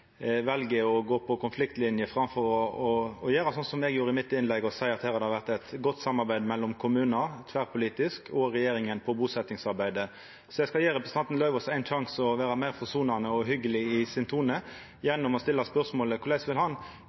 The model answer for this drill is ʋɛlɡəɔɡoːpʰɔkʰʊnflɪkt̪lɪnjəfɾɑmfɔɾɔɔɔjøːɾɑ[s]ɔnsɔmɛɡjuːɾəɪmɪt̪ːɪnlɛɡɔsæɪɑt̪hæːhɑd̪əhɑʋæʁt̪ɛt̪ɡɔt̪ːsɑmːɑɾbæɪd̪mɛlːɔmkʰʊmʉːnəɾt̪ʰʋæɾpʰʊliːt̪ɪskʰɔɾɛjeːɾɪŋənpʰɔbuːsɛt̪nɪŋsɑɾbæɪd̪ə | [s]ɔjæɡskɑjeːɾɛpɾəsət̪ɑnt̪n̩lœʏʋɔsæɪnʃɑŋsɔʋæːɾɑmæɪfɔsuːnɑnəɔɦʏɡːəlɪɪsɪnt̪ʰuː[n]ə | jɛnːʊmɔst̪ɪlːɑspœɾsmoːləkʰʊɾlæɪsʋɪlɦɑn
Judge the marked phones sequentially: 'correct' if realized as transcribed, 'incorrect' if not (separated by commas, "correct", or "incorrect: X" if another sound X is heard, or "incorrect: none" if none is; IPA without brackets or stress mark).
correct, correct, correct